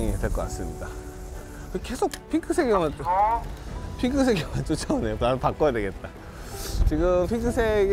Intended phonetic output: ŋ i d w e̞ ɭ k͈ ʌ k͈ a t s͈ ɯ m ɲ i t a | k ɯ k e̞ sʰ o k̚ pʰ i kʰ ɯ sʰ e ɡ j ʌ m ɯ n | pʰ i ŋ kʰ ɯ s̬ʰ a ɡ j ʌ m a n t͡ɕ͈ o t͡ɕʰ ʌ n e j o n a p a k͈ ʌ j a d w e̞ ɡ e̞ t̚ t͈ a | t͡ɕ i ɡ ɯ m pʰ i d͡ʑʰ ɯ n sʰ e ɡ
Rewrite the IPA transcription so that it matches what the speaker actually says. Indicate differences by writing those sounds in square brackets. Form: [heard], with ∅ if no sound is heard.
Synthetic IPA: ŋ i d w e̞ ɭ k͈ ʌ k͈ a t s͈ ɯ m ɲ i [d] a | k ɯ k e̞ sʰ o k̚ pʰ i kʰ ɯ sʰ e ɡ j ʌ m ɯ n | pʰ i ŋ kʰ ɯ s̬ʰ [e] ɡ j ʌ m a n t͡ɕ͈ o t͡ɕʰ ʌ n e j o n a p a k͈ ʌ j a d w e̞ ɡ e̞ t̚ t͈ a | t͡ɕ i ɡ ɯ m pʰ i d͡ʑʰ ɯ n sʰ e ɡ